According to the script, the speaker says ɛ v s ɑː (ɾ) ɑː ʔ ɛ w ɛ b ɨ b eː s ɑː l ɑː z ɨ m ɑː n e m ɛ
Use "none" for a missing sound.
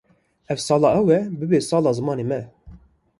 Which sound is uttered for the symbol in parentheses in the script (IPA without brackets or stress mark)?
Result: l